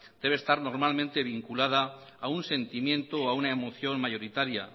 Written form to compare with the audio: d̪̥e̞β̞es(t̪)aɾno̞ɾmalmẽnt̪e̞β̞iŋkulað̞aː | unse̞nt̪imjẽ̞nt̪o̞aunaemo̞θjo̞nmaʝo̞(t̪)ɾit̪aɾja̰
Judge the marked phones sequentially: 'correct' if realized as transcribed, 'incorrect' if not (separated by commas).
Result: correct, incorrect